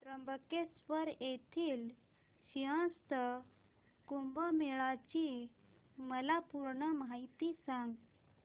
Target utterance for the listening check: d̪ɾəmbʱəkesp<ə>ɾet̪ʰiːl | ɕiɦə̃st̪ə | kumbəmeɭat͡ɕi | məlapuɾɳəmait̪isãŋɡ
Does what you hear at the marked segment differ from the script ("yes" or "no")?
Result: no